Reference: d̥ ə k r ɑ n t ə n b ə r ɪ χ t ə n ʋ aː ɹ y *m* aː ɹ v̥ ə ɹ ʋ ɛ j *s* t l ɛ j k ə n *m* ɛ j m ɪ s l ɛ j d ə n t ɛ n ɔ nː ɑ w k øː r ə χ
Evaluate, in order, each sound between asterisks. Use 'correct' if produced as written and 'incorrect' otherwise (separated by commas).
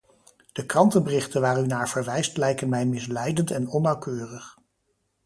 incorrect, correct, correct